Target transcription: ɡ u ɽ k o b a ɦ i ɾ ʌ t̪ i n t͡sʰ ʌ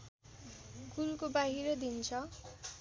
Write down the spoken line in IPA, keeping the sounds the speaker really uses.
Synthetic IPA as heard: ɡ u l k o b a ɦ i ɾ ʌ d̪ i n t͡sʰ ʌ